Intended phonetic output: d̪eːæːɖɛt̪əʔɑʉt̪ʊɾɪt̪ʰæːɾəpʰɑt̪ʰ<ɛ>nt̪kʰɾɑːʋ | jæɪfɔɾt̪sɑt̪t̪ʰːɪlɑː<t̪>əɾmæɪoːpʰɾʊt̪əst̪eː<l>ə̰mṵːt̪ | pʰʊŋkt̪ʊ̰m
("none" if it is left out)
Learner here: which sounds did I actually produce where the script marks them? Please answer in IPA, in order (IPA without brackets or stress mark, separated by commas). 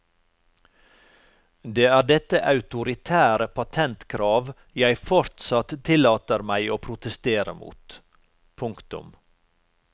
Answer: ɛ, t̪, ɾ